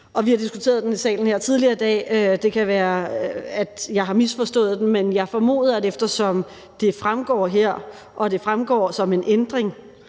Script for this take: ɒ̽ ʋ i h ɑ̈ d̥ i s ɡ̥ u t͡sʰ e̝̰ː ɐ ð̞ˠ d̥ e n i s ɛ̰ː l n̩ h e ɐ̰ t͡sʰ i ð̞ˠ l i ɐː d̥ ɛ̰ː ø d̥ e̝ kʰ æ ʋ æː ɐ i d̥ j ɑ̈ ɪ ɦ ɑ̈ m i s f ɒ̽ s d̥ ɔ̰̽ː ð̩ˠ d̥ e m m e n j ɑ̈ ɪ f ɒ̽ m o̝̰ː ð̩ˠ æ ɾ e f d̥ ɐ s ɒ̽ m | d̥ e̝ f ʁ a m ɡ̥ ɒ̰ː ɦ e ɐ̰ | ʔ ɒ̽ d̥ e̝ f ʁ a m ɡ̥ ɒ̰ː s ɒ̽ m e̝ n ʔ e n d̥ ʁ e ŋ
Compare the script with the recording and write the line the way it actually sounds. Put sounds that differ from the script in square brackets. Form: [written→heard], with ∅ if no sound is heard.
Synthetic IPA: ɒ̽ ʋ i h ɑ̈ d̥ i s ɡ̥ u t͡sʰ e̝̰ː ɐ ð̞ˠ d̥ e n i s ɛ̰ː l n̩ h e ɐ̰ t͡sʰ i ð̞ˠ l i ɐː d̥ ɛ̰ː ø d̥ e̝ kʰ æ ʋ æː ɐ [i→æ] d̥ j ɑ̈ ɪ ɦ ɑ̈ m i s f ɒ̽ s d̥ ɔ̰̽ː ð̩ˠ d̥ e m m e n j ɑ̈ ɪ f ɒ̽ m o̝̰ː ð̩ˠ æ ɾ e f d̥ ɐ s ɒ̽ m | d̥ e̝ f ʁ a m ɡ̥ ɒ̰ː ɦ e ɐ̰ | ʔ ɒ̽ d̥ e̝ f ʁ a m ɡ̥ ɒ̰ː s ɒ̽ m e̝ n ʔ e n d̥ ʁ e ŋ